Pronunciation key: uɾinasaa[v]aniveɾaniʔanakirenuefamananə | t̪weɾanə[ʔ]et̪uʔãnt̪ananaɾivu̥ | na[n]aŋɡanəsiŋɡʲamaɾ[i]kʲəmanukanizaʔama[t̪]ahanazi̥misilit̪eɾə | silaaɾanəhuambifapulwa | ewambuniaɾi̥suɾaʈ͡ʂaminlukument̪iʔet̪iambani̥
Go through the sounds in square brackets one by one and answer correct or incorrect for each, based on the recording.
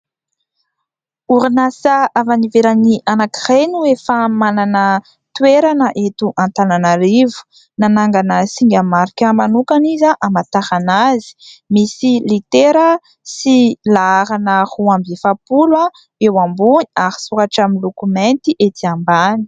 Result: correct, correct, correct, correct, correct

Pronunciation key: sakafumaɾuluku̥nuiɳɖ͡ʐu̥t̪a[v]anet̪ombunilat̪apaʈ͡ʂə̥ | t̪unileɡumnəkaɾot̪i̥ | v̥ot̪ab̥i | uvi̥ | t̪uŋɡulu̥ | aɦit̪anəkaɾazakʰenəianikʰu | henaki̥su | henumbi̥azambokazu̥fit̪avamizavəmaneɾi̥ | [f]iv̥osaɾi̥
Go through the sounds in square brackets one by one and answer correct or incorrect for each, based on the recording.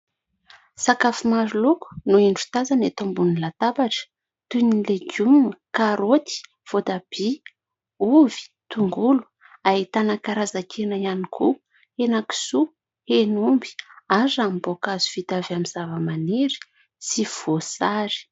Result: incorrect: z, incorrect: s

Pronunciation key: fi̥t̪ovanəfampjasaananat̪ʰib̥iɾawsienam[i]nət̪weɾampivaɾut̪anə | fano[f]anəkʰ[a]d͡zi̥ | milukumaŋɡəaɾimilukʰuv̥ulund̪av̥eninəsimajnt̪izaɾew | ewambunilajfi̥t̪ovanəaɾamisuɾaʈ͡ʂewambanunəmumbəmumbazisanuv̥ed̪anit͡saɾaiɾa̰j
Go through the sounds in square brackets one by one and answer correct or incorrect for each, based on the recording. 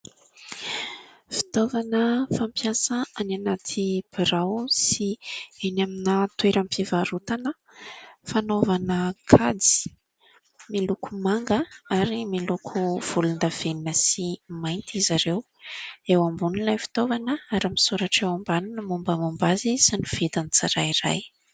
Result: correct, incorrect: v, correct

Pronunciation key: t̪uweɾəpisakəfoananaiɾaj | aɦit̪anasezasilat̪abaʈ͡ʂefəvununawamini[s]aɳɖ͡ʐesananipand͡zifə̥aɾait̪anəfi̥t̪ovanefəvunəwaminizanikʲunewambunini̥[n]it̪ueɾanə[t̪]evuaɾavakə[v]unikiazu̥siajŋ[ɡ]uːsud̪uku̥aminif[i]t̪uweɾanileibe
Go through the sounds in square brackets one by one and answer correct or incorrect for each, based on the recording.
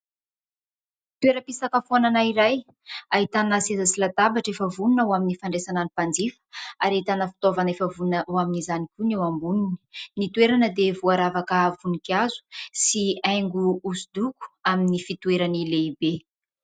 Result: incorrect: f, correct, incorrect: d̪, correct, correct, correct

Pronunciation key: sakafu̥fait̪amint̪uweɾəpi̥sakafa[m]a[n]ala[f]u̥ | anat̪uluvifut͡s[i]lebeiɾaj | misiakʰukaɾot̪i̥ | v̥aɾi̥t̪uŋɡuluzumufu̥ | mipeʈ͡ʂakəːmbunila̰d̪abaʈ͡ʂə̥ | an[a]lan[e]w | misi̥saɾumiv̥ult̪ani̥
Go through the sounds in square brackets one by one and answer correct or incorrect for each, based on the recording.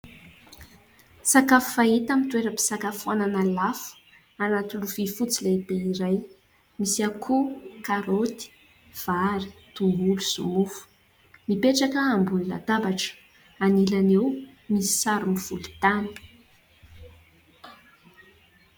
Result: incorrect: n, correct, correct, correct, incorrect: i, correct

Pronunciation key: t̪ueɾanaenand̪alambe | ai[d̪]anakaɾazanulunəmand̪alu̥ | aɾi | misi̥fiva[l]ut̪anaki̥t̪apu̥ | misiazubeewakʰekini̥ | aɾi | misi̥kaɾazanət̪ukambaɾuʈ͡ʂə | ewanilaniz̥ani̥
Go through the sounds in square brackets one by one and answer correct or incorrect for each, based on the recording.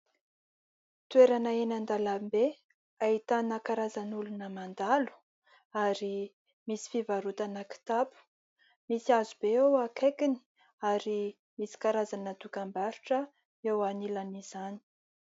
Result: incorrect: t̪, incorrect: ɾ

